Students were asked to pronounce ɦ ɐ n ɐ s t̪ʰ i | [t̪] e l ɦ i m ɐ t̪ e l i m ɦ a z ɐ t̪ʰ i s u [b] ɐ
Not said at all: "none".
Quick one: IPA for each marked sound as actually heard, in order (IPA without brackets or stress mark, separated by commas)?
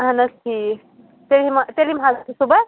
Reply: t̪, b